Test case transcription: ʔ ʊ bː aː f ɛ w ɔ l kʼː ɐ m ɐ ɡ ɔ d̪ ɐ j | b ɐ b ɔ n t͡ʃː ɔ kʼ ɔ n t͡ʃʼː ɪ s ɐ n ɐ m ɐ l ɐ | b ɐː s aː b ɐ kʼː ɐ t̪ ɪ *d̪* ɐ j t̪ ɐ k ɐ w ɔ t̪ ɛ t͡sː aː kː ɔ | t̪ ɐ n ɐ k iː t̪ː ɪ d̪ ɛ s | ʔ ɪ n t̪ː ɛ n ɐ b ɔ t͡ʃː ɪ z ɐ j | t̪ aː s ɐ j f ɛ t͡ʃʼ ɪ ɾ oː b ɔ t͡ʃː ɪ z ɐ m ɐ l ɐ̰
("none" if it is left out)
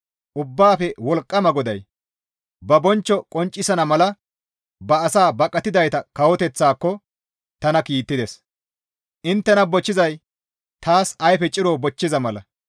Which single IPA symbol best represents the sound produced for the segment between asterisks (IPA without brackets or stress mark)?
d̪